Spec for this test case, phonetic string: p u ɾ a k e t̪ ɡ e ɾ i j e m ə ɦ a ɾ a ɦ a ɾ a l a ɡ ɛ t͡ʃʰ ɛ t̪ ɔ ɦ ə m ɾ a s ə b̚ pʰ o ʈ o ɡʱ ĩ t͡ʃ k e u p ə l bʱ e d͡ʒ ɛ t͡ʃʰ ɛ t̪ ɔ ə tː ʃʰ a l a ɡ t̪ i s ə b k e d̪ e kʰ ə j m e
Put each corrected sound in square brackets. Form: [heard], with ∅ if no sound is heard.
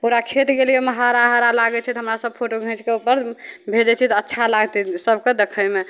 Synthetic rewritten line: p u ɾ a [kʰ] e t̪ ɡ e [l] i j e m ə ɦ a ɾ a ɦ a ɾ a l a ɡ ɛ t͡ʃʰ ɛ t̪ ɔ ɦ ə m ɾ a s ə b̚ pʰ o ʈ o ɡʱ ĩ t͡ʃ k e u p ə [ɾ] bʱ e d͡ʒ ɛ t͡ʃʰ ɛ t̪ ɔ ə tː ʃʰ a l a ɡ t̪ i s ə b k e d̪ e kʰ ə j m e